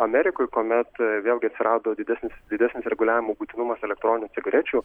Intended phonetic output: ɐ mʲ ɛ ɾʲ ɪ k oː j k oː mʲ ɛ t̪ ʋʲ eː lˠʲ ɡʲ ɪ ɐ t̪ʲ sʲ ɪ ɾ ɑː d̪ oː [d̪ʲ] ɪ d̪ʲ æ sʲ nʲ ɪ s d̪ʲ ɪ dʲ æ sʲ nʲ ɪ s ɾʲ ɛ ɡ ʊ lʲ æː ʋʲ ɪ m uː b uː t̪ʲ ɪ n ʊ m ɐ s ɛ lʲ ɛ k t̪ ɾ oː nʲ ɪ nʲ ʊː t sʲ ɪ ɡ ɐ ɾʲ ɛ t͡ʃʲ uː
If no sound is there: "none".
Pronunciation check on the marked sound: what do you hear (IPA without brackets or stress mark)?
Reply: d̪ʲ